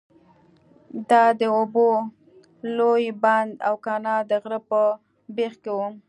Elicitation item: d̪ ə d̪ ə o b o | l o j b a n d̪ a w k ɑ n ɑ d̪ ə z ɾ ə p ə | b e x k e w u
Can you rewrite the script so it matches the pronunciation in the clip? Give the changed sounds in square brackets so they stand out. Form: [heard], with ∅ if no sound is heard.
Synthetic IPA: d̪ [ɑ] d̪ ə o b o | l o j b a n d̪ a w k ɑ n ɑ d̪ ə [ɣ] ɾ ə p ə | b e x k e w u